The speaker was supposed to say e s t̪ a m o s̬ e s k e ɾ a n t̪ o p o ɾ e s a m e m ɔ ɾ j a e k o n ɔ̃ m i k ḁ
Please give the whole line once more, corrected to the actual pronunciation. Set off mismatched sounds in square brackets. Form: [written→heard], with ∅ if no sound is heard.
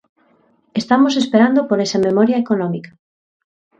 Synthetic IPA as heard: e s t̪ a m o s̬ e s [k→p] e ɾ a n [t̪→d̪] o p o ɾ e s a m e m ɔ ɾ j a e k o n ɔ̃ m i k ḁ